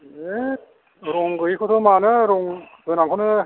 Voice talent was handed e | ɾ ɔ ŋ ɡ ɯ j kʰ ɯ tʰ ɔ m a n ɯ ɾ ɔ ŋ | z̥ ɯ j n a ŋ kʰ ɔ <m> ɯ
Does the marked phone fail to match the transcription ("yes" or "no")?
yes